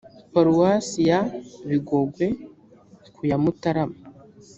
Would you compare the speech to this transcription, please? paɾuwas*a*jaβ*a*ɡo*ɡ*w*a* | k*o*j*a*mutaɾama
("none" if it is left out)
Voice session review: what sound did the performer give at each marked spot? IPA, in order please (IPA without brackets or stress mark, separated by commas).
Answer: i, i, ɡ, e, u, a